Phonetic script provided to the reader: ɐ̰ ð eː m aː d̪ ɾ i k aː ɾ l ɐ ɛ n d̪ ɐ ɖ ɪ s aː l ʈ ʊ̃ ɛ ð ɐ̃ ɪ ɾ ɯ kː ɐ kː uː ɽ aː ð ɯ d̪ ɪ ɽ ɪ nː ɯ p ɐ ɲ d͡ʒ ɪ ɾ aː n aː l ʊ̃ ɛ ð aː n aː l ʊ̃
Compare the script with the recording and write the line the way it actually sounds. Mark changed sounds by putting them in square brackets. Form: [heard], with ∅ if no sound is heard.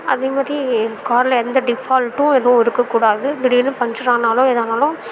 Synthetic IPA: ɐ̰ ð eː m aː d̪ ɾ i k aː ɾ l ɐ ɛ n d̪ ɐ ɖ ɪ [f] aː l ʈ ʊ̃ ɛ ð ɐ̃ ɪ ɾ ɯ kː ɐ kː uː ɽ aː ð ɯ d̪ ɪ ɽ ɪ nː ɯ p ɐ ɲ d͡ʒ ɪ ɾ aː n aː l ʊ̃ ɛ ð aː n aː l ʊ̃